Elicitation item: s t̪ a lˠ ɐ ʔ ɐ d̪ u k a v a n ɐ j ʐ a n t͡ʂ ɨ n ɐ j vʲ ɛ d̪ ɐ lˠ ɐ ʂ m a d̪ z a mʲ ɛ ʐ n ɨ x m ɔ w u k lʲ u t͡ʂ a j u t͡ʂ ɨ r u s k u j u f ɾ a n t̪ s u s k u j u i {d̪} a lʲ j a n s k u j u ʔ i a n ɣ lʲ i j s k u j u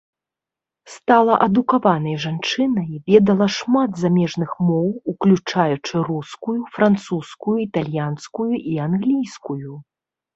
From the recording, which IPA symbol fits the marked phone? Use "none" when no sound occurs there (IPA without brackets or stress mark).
t̪